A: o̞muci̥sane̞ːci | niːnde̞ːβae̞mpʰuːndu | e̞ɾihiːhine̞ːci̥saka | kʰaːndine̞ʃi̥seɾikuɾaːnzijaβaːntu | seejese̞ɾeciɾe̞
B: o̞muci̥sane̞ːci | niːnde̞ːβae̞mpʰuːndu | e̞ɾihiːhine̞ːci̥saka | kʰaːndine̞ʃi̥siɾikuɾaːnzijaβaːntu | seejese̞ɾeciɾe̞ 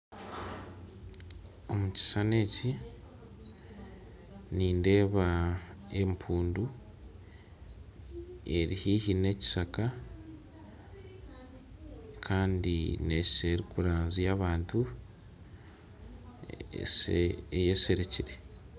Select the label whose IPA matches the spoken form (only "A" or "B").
A